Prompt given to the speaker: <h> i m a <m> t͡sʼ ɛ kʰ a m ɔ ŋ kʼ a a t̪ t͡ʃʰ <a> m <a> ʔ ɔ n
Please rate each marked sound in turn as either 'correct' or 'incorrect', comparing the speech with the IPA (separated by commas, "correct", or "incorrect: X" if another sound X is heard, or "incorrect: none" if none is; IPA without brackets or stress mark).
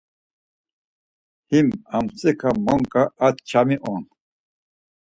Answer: correct, correct, correct, incorrect: i